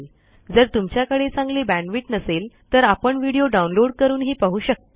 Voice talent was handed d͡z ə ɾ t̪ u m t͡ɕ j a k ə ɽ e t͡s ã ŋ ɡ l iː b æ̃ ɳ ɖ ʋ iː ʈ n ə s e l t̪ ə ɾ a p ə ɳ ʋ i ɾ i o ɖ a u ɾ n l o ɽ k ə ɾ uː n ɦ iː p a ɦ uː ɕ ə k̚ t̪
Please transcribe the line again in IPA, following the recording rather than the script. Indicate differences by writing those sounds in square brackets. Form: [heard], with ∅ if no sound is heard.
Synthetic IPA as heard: d͡z ə ɾ t̪ u m t͡ɕ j a k ə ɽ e t͡s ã ŋ ɡ l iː b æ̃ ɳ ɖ ʋ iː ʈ n ə s e l t̪ ə ɾ a p ə ɳ ʋ i [ɽ] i o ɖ a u [∅] n l o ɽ k ə ɾ uː n ɦ iː p a ɦ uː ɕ ə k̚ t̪